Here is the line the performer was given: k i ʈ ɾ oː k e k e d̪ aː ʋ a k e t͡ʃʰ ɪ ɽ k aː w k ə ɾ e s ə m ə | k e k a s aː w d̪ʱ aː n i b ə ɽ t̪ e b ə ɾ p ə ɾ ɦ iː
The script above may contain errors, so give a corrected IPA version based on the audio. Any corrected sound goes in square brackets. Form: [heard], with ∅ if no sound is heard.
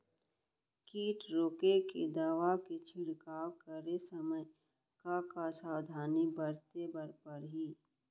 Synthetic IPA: k [iː] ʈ ɾ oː k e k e d̪ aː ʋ a k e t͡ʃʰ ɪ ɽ k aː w k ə ɾ e s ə m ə | k [a] k a s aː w d̪ʱ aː n i b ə [ɾ] t̪ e b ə ɾ p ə ɾ ɦ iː